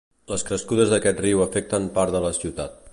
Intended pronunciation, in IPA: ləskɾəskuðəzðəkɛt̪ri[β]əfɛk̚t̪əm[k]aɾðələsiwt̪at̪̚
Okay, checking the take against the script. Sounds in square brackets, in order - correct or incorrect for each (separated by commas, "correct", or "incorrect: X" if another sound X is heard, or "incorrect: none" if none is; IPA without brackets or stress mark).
incorrect: w, incorrect: p